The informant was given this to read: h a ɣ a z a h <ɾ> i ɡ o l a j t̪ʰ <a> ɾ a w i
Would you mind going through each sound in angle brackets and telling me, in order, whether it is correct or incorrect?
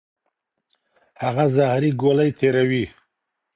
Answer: correct, incorrect

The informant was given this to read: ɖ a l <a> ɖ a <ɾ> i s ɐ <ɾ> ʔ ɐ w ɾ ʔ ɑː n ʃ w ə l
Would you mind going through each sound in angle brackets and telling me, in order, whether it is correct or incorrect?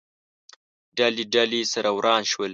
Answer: incorrect, incorrect, correct

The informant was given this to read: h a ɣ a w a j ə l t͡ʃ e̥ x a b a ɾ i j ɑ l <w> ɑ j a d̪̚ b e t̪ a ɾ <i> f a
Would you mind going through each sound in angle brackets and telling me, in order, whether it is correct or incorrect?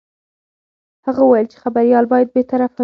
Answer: incorrect, incorrect

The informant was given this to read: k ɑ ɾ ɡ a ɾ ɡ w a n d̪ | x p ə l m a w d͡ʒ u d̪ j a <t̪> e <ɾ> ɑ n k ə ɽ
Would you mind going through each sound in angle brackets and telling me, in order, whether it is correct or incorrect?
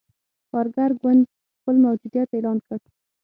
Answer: correct, incorrect

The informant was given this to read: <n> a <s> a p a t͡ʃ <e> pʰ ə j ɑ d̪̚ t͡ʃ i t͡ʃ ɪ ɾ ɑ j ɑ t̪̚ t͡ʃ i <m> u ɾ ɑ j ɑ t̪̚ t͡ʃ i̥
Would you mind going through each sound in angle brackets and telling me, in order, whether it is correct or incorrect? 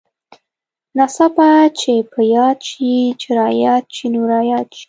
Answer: correct, correct, correct, incorrect

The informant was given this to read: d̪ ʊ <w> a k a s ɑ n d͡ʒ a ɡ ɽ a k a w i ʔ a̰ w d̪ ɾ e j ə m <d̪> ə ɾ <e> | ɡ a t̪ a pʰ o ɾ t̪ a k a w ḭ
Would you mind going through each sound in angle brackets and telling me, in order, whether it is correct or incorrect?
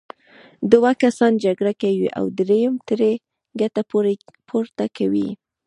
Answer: correct, incorrect, correct

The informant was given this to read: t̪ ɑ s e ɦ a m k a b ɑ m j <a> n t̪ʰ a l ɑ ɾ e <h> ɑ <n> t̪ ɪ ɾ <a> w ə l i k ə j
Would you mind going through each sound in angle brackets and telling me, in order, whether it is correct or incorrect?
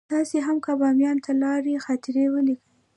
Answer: incorrect, incorrect, incorrect, incorrect

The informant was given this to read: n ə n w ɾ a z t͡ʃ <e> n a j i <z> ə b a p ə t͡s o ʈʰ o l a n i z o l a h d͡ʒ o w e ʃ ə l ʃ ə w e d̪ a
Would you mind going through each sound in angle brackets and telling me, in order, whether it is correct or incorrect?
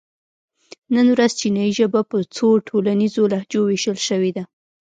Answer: incorrect, incorrect

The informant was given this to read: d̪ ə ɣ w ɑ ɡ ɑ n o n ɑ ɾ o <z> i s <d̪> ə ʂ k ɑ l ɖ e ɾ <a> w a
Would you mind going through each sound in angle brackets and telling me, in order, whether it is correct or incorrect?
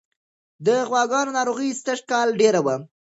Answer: incorrect, incorrect, correct

